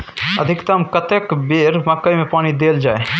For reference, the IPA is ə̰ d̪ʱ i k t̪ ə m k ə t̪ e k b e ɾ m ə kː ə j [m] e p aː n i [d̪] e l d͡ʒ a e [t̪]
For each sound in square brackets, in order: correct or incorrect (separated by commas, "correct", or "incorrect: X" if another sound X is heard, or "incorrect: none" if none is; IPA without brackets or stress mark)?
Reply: correct, correct, incorrect: none